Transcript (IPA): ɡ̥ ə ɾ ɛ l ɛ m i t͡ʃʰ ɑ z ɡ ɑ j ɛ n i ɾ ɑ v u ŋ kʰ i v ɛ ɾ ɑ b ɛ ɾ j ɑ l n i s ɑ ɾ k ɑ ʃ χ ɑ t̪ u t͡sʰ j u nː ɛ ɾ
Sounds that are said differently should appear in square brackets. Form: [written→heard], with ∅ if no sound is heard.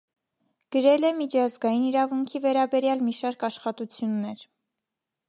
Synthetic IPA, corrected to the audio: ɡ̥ ə ɾ ɛ l ɛ m i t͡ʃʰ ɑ z ɡ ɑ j [ɛ→i] n i ɾ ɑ v u ŋ kʰ i v ɛ ɾ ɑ b ɛ ɾ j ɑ l [n→m] i [s→ʃ] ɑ ɾ k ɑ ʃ χ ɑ t̪ u t͡sʰ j u nː ɛ ɾ